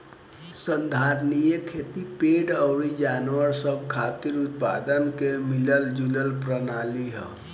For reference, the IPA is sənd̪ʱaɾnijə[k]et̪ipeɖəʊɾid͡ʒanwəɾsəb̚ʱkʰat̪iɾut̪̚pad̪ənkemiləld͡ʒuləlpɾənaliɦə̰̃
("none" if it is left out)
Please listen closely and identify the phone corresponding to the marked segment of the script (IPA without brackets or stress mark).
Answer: kʰ